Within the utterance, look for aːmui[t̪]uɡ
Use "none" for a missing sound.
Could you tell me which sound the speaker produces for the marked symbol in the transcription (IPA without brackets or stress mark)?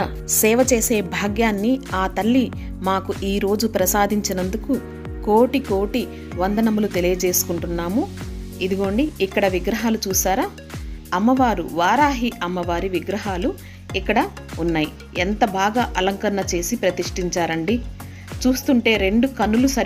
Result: d̪